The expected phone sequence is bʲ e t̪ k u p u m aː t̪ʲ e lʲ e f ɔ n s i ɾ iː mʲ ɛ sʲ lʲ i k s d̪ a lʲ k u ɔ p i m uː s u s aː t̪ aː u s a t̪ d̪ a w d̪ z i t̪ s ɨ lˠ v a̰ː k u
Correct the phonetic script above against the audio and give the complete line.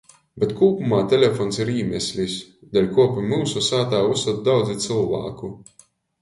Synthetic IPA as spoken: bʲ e t̪ k uː p u m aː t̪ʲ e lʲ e f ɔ n s i ɾ iː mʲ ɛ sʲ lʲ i s d̪ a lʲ k u ɔ p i m uː s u s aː t̪ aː u s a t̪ d̪ a w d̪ z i t̪ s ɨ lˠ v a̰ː k u